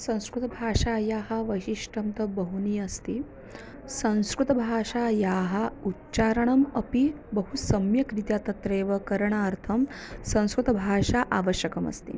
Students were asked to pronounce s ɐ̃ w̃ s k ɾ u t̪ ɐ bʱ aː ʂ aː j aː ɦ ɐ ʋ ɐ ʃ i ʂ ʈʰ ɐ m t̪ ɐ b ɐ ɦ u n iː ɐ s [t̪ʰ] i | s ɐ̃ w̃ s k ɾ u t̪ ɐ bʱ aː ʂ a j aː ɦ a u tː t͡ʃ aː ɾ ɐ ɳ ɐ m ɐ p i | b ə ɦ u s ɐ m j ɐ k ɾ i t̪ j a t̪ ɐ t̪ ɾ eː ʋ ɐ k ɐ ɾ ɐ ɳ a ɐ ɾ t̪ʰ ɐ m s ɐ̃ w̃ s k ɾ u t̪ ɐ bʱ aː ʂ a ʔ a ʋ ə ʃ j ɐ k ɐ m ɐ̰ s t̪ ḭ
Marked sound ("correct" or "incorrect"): incorrect